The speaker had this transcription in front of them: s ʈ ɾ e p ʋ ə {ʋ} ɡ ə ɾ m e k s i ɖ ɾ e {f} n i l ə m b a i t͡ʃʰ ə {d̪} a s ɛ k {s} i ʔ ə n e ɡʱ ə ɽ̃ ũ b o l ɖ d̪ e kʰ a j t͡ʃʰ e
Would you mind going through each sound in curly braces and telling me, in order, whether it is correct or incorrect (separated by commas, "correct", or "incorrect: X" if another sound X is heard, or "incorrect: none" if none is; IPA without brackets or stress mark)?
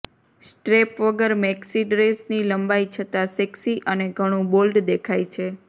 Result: incorrect: none, incorrect: s, incorrect: t̪, correct